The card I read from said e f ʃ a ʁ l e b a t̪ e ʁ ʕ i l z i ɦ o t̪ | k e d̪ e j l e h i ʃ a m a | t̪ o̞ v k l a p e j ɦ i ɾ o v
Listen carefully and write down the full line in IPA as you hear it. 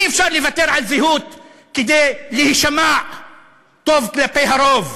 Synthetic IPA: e f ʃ a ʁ l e v a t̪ e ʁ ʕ a l z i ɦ u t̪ | k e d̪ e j l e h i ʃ a m a | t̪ o̞ v k l a p e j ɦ a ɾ o v